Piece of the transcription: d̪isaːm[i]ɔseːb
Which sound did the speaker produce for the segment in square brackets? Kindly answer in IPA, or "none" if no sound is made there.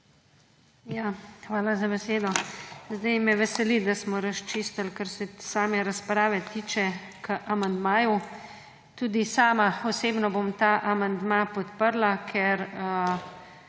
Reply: a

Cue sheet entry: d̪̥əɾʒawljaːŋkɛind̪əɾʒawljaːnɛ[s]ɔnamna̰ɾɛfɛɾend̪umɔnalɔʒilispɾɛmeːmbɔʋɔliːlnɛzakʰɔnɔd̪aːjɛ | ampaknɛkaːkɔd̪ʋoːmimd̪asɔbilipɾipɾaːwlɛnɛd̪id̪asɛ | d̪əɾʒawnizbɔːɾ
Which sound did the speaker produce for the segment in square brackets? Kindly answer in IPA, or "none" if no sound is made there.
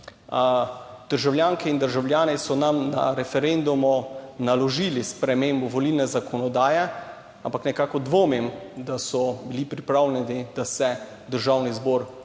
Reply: s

